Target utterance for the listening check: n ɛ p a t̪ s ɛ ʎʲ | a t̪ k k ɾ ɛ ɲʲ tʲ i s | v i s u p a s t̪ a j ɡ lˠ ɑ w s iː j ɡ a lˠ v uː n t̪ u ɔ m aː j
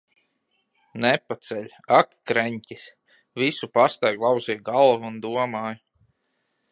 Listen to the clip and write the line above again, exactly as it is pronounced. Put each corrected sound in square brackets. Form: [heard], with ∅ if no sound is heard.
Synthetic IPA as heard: n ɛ p a t̪ s ɛ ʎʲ | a [∅] k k ɾ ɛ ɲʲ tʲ i s | v i s u p a s t̪ a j ɡ lˠ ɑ w [z] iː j ɡ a lˠ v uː n [d̪] u ɔ m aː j